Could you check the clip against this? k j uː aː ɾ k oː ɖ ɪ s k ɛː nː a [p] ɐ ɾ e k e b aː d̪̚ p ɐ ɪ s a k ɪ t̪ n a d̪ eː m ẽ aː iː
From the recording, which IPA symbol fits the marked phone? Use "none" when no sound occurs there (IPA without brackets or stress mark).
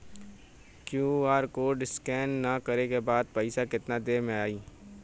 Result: k